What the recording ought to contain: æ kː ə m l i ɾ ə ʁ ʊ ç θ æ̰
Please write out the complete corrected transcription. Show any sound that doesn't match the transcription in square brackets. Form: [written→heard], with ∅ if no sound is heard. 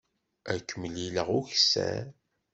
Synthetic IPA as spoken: æ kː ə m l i [ɾ→l] ə ʁ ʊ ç [θ→s] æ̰

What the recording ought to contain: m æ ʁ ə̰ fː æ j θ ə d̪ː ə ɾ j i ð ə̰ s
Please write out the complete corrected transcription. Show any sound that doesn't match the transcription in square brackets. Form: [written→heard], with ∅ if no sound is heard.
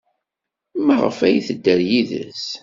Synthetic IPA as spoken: m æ ʁ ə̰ [fː→f] æ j θ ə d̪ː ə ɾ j i ð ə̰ s

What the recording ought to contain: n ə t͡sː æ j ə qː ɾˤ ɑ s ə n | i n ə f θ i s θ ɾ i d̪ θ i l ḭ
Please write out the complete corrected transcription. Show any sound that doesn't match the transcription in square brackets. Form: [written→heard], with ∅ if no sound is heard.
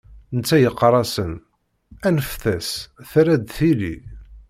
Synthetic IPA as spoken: n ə t͡sː æ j ə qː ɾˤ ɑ s ə n | [i→æ] n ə f θ [i→æ] s θ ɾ [i→æ] d̪ θ i l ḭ

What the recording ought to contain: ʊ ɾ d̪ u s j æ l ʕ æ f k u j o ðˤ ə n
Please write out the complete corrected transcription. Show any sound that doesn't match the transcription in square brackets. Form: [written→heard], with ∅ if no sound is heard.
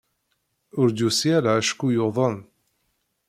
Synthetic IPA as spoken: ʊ ɾ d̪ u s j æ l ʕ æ [f→ʃ] k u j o ðˤ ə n

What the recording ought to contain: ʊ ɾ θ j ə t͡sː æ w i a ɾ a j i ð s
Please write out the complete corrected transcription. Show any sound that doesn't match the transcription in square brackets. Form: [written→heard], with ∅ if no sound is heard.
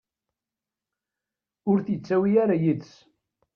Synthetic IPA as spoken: ʊ ɾ θ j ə t͡sː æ w i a ɾ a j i ð s

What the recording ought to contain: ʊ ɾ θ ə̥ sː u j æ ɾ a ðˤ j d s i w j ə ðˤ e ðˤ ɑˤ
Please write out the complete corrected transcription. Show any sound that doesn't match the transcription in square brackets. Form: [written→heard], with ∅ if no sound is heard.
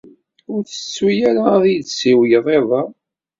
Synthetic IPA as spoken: ʊ ɾ θ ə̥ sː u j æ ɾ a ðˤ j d s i w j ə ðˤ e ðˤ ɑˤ

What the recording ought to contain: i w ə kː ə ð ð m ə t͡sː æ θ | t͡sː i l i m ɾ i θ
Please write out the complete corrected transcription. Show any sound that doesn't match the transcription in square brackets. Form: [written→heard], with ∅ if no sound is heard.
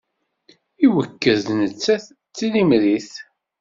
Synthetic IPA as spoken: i w ə kː ə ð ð [m→n] ə t͡sː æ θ | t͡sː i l i m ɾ i θ

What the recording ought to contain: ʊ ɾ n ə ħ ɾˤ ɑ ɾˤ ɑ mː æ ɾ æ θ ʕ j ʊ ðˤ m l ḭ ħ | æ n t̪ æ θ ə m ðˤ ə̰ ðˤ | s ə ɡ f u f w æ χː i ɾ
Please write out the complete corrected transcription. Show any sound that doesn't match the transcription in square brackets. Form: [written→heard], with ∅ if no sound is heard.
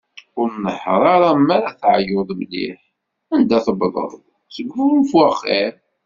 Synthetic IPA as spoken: ʊ ɾ n ə ħ ɾˤ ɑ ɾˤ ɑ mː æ ɾ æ θ ʕ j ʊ ðˤ m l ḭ ħ | æ n [t̪→d̪] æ θ ə [m→b] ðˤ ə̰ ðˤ | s ə ɡ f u f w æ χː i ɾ

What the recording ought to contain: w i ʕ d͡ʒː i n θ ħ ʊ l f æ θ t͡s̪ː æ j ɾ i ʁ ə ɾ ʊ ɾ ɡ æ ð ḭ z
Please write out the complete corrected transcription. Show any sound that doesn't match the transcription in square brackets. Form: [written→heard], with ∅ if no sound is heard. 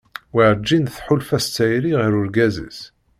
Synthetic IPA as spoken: w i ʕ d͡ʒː i n θ ħ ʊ l f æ [θ→s] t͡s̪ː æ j ɾ i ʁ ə ɾ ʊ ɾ ɡ æ [ð→z] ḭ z

